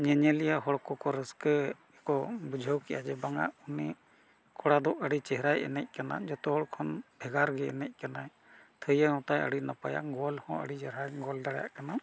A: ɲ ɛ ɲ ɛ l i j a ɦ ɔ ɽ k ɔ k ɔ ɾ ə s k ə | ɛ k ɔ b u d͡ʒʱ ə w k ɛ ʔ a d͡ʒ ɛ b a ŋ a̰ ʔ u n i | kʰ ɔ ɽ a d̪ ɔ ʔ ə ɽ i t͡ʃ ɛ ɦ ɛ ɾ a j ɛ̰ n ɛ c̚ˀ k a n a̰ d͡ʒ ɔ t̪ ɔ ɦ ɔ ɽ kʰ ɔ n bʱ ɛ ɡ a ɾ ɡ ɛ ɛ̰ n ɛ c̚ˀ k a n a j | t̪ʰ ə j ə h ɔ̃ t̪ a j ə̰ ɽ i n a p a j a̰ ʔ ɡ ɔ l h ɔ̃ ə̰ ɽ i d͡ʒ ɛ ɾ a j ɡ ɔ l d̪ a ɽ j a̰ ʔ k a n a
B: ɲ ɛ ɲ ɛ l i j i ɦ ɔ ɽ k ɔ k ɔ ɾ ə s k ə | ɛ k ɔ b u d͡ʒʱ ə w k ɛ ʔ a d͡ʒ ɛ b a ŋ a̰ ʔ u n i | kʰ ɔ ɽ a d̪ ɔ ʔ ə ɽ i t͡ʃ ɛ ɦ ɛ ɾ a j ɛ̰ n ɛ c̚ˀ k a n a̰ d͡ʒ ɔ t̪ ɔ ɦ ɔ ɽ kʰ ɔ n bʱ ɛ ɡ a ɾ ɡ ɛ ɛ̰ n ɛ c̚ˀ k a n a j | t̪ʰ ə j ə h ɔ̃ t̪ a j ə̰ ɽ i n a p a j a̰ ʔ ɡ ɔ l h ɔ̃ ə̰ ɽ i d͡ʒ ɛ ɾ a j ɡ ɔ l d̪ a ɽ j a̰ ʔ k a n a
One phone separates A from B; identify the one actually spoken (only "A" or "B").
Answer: A